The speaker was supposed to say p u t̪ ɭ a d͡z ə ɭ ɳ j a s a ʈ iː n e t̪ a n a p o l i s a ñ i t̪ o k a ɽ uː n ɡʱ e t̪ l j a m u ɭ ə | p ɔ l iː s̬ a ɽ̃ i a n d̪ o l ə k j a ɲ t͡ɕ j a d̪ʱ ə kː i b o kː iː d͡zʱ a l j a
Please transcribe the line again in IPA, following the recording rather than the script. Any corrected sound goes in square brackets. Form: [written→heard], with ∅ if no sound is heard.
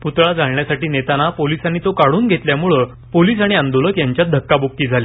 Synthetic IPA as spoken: p u t̪ ɭ a d͡z [ə→a] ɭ ɳ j a s a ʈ iː n e t̪ a n a p o l i s a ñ i t̪ o k a ɽ uː n ɡʱ e t̪ l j a m u ɭ ə | p [ɔ→o] l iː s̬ a ɽ̃ i a n d̪ o l ə k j a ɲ t͡ɕ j a d̪ʱ ə kː [i→a] b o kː iː d͡zʱ a l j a